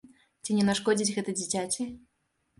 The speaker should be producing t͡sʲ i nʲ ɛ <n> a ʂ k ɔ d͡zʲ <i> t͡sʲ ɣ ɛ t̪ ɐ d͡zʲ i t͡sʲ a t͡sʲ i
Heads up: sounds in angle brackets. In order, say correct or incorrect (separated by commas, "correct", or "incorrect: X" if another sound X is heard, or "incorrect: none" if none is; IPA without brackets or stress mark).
correct, correct